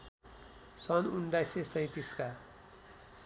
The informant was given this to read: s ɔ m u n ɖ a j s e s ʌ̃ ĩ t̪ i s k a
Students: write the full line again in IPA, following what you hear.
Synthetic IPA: s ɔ n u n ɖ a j s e s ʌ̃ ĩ t̪ i s k a